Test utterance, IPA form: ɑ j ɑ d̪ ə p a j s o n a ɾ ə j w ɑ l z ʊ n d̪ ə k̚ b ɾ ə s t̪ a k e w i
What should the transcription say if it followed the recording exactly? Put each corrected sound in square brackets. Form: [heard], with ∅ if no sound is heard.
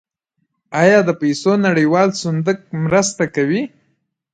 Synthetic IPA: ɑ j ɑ d̪ ə p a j s o n a [ɽ] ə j w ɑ l [s] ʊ n d̪ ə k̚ [m] ɾ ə s t̪ a k [a] w i